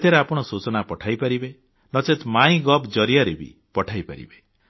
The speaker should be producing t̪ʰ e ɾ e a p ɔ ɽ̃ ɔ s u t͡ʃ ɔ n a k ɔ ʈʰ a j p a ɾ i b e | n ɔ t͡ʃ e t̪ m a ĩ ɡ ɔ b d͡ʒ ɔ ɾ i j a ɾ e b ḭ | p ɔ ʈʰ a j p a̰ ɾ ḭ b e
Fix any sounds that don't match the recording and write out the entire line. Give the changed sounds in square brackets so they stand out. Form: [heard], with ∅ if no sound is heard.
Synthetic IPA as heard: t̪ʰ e ɾ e a p ɔ ɽ̃ ɔ s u t͡ʃ ɔ n a [p] ɔ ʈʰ a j p a ɾ i b e | n ɔ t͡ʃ e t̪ m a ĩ ɡ ɔ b d͡ʒ ɔ ɾ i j a ɾ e b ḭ | p ɔ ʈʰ a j p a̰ ɾ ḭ b e

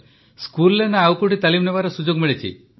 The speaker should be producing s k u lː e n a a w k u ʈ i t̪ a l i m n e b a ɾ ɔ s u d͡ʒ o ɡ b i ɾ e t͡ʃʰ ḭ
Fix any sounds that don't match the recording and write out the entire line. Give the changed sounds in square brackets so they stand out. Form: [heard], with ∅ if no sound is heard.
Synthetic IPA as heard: s k u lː e n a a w k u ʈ i t̪ a l i m n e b a ɾ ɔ s u d͡ʒ o ɡ [m] i [ɭ] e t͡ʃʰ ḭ

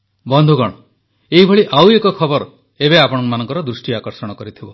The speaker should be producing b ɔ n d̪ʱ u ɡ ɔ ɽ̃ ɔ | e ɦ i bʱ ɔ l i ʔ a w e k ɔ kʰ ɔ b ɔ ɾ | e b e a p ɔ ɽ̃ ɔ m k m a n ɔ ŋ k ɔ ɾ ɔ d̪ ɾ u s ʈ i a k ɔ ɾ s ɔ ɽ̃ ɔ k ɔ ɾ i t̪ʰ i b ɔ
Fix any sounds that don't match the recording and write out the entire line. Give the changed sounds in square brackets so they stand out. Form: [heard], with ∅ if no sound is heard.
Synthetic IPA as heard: b ɔ n d̪ʱ u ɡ ɔ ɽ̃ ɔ | e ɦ i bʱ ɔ [ɭ] i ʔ a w e k ɔ kʰ ɔ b ɔ ɾ | e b e a p ɔ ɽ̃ ɔ [ŋ] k m a n ɔ ŋ k ɔ ɾ ɔ d̪ ɾ u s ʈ i a k ɔ ɾ s ɔ ɽ̃ ɔ k ɔ ɾ i t̪ʰ i b ɔ

